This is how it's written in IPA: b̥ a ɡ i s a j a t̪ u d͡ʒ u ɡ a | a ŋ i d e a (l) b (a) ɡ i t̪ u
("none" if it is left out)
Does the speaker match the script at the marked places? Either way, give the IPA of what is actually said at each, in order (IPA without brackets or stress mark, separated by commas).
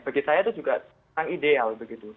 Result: l, ə